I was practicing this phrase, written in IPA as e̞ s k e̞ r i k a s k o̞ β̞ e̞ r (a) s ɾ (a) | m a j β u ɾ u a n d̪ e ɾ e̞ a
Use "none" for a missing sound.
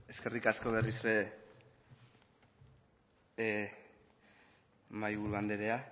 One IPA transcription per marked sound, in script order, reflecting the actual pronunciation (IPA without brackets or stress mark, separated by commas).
i, e